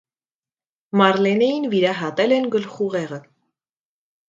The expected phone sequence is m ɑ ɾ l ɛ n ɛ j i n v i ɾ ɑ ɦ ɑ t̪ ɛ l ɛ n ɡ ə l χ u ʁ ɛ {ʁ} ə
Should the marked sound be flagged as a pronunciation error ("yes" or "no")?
no